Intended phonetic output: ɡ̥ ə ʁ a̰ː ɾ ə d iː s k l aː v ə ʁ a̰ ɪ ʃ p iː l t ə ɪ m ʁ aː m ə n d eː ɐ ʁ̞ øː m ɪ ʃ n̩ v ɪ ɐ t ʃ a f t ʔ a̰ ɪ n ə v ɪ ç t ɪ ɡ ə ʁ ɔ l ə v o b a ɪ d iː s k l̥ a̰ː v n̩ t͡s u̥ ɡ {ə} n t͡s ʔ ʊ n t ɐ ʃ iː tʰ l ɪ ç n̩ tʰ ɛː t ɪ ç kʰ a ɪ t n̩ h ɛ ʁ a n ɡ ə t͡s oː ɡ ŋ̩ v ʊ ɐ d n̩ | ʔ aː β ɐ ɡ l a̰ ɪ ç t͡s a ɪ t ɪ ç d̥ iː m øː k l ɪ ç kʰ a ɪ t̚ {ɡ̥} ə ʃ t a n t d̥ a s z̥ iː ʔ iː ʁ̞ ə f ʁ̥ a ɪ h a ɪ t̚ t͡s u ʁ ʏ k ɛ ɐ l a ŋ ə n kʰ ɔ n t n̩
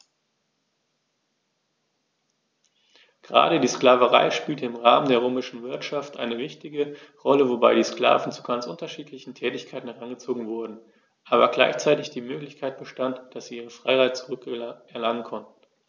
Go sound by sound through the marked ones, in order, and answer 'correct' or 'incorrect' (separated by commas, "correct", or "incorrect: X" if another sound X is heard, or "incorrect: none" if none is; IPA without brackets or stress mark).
incorrect: a, incorrect: b̥